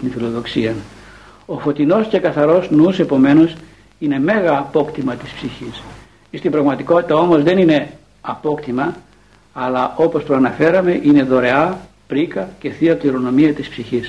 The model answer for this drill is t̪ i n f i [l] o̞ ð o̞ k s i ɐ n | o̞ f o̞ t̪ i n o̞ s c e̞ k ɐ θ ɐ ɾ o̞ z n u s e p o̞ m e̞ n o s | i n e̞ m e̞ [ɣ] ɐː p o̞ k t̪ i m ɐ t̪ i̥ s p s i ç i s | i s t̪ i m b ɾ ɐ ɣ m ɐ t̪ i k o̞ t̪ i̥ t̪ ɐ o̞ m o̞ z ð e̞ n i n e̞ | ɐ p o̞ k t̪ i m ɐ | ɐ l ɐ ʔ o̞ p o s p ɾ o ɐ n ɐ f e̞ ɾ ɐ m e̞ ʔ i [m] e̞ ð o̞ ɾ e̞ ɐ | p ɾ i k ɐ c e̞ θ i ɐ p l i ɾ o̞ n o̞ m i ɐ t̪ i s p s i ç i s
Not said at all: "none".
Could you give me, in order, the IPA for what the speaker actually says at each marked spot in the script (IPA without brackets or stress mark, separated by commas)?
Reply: l, ɣ, n